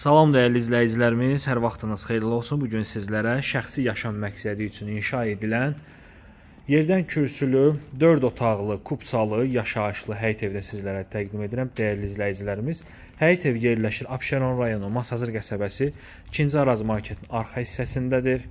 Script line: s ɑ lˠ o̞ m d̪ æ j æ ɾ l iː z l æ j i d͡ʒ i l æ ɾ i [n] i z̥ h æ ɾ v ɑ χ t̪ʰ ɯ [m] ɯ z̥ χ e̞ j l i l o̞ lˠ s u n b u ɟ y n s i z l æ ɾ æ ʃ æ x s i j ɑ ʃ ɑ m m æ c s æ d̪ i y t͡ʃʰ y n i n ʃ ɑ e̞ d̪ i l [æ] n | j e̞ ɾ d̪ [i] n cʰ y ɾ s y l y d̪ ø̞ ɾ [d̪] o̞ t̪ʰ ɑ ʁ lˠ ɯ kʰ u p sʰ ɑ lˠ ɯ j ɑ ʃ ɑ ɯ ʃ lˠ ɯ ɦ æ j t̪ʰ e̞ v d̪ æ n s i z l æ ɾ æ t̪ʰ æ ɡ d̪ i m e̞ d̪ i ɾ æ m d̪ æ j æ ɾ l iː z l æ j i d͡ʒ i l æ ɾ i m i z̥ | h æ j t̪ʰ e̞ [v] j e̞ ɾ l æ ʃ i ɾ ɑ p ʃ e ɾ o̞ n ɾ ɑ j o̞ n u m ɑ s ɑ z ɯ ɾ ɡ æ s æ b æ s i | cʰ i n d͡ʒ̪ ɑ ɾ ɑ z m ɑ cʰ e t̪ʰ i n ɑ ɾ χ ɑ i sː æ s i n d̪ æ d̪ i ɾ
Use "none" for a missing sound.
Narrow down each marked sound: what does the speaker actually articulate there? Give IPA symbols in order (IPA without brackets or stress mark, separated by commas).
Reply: m, n, æ, æ, d̪, v